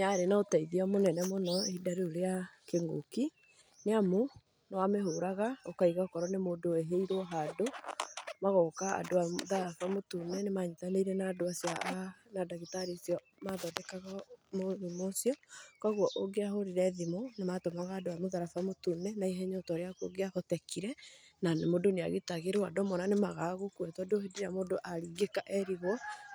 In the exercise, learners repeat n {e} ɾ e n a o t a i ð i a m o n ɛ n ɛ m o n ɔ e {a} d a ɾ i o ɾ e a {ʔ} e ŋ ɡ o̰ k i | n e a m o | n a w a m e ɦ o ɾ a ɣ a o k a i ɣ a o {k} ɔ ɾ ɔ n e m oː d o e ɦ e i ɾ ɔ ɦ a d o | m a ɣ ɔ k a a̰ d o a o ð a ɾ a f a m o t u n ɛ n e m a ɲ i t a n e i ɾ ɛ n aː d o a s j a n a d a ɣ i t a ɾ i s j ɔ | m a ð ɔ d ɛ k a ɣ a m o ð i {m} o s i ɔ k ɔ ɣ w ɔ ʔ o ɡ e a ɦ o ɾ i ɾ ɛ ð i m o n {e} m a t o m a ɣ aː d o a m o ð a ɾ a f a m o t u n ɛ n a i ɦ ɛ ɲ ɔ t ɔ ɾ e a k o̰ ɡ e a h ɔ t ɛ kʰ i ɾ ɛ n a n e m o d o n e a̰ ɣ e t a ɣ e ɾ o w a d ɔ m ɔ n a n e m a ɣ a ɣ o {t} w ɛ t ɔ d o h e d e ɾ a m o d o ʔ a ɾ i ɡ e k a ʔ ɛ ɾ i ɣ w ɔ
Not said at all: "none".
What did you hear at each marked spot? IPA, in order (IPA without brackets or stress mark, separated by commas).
a, i, k, k, m, e, k